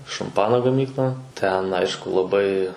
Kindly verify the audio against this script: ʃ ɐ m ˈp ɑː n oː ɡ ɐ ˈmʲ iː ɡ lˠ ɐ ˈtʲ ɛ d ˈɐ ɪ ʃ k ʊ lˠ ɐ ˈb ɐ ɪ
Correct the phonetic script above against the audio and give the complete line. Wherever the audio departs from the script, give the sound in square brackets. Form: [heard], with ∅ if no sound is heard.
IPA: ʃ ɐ m ˈp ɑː n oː ɡ ɐ ˈmʲ iː [k] lˠ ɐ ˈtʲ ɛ [n] ˈɐ ɪ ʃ k ʊ lˠ ɐ ˈb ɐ ɪ